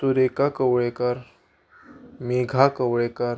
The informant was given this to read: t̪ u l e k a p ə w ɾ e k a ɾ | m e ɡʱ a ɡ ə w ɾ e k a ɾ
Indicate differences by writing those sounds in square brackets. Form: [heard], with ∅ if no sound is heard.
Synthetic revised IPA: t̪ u [ɾ] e k a [k] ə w [ɭ] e k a ɾ | m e ɡʱ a [k] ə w [ɭ] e k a ɾ